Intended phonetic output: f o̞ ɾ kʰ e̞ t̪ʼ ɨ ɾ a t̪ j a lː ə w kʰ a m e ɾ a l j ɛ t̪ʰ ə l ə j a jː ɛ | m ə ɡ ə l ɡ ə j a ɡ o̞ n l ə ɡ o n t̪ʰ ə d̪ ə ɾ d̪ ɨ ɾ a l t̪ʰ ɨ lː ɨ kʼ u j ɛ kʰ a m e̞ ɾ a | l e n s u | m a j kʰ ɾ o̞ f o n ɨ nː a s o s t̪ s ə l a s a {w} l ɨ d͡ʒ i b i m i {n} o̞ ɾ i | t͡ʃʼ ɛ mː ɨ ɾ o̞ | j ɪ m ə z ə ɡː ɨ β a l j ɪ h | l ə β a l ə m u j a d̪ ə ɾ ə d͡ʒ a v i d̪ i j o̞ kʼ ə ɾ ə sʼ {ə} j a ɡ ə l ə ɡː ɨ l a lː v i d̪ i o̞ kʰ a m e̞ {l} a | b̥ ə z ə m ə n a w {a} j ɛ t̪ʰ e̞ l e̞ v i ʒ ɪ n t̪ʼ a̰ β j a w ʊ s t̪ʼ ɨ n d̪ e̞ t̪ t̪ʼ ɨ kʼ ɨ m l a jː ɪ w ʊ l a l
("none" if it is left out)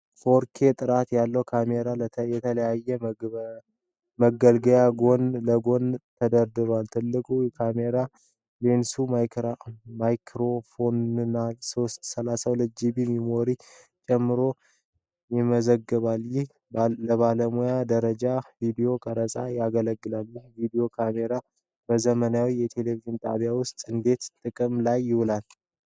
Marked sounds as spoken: w, m, a, ɾ, i

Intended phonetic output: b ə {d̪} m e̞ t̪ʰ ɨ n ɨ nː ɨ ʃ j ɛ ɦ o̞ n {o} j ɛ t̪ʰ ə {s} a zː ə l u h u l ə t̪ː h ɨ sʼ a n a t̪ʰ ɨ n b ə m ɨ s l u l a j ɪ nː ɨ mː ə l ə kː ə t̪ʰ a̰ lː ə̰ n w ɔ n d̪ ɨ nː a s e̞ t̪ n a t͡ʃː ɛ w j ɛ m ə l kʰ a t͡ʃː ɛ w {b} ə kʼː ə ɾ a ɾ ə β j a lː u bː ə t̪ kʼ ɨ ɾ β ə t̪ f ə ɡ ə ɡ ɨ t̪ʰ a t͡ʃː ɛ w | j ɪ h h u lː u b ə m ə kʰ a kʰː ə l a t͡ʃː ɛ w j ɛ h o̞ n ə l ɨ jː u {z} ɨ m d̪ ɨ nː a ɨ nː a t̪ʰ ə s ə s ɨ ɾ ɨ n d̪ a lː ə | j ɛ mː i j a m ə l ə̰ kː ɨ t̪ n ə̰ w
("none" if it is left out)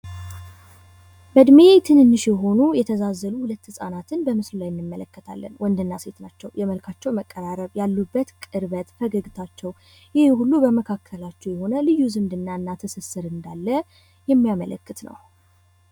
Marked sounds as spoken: d̪, u, z, m, z

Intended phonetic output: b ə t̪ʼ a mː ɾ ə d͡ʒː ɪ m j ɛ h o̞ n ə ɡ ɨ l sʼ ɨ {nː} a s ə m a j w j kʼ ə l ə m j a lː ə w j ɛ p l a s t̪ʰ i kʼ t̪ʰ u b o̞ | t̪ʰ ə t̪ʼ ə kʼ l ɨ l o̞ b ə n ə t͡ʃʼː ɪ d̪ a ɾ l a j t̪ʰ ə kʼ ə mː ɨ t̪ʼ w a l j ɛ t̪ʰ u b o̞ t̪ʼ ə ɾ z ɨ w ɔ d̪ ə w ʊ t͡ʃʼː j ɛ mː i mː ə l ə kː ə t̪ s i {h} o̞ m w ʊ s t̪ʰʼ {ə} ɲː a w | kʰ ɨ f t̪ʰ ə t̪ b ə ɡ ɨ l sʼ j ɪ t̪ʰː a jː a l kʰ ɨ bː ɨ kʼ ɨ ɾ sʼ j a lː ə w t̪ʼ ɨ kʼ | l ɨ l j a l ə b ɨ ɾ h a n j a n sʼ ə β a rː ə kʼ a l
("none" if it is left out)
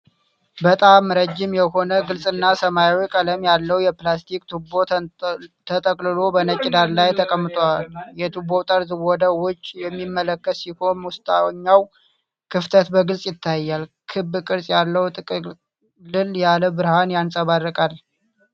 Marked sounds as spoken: nː, h, a

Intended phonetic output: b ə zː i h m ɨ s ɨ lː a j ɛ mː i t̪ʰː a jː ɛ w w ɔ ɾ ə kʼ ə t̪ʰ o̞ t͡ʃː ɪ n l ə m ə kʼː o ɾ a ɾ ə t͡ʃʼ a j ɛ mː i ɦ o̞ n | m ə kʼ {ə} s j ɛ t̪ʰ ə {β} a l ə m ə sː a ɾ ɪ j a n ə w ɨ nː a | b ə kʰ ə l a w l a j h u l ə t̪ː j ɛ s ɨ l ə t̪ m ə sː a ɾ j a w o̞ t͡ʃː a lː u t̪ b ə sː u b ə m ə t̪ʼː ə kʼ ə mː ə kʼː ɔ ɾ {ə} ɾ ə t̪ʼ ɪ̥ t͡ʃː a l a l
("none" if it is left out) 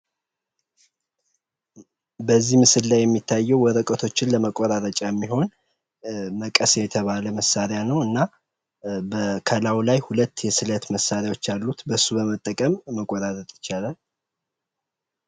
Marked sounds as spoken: ə, β, a

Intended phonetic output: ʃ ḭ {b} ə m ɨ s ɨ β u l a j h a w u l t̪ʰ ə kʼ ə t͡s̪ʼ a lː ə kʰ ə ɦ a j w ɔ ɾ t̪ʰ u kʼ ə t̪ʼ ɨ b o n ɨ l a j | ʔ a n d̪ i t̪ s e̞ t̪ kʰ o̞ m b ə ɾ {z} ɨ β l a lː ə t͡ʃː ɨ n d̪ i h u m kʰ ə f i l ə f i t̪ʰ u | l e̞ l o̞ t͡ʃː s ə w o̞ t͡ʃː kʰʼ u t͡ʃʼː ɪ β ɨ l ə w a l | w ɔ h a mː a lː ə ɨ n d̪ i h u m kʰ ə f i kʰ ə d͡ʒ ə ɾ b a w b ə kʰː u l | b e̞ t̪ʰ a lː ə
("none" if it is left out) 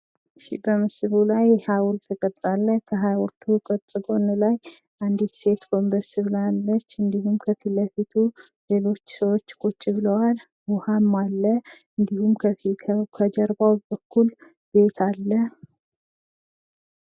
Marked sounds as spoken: b, s

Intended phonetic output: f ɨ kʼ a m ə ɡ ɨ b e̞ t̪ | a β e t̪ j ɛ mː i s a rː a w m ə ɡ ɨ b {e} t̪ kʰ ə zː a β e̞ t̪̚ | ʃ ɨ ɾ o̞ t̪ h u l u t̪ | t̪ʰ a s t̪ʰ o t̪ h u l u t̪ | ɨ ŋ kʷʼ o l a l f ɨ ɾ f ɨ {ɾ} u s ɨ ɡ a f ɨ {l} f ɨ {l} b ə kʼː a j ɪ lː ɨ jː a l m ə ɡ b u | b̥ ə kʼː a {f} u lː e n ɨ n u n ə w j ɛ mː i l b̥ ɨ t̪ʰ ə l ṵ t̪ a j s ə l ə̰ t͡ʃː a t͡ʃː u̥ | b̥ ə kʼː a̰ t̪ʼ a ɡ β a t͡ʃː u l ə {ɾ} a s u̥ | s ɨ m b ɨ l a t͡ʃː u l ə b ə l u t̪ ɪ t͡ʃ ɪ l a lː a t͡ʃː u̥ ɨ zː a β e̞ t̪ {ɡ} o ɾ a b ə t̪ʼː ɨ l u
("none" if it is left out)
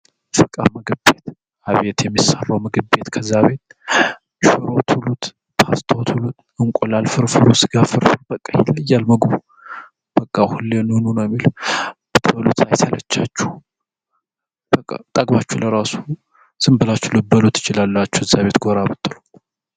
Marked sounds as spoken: e, ɾ, ɾ, ɾ, h, ɾ, ɡ

